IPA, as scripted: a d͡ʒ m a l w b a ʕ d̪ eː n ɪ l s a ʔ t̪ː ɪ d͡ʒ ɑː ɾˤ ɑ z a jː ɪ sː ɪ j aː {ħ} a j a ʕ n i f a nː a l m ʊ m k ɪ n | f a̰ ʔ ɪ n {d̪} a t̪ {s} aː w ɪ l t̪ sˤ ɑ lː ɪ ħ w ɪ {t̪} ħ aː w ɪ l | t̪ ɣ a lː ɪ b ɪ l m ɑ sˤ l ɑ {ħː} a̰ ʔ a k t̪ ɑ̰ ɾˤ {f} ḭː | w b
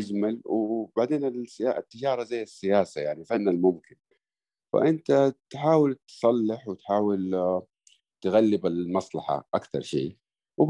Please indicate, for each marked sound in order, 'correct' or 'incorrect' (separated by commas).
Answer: incorrect, incorrect, incorrect, correct, incorrect, incorrect